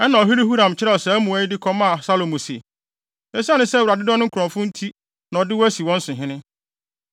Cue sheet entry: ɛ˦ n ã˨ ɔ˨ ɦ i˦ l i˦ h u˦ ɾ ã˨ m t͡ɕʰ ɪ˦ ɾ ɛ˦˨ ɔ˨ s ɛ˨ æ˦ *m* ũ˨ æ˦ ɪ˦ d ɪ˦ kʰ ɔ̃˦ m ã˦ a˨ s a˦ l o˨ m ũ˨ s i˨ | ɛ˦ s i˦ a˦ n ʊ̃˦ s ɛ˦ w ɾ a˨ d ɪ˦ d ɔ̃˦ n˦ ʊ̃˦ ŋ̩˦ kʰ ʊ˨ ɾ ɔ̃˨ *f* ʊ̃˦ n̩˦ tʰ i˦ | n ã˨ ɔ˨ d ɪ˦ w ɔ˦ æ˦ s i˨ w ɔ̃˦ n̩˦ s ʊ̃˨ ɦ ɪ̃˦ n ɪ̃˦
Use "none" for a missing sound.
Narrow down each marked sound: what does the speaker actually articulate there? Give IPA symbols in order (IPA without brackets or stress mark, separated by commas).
m, f